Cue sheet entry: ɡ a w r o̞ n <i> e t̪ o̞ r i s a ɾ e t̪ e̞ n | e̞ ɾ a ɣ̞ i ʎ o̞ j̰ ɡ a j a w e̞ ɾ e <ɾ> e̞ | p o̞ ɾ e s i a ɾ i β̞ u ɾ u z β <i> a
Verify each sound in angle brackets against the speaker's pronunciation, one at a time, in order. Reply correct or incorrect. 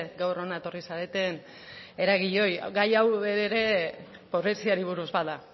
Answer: incorrect: a, correct, incorrect: a

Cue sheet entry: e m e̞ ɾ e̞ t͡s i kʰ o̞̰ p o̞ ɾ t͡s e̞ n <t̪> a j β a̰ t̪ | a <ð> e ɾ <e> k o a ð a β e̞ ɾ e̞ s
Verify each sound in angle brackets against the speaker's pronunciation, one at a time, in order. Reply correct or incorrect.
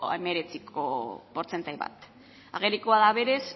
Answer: correct, incorrect: ɣ, incorrect: i

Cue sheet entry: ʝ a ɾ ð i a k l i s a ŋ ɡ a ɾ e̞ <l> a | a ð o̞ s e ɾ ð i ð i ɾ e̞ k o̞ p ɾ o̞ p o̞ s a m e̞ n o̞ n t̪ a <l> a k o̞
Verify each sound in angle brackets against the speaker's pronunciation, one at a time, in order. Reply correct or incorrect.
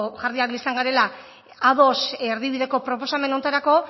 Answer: correct, incorrect: ɾ

